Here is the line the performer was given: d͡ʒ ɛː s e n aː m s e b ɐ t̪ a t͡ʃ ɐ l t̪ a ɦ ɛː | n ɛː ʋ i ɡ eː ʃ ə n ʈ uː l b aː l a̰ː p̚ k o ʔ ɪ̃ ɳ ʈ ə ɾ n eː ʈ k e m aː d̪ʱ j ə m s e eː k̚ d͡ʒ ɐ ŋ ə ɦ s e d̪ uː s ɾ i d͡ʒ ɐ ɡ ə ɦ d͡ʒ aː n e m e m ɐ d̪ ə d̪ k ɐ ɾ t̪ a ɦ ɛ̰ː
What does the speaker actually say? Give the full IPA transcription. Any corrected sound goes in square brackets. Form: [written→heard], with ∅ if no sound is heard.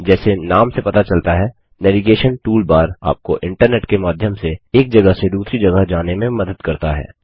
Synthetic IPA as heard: d͡ʒ ɛː s e n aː m s e [b→p] ɐ t̪ a t͡ʃ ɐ l t̪ a ɦ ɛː | n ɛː ʋ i ɡ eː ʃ ə n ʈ uː l b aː [l→ɾ] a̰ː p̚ k o ʔ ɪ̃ ɳ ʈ ə ɾ n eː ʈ k e m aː d̪ʱ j ə m s e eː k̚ d͡ʒ ɐ [ŋ→ɡ] ə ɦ s e d̪ uː s ɾ i d͡ʒ ɐ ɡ ə ɦ d͡ʒ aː n e m [e→ẽ] m ɐ d̪ ə d̪ k ɐ ɾ t̪ a ɦ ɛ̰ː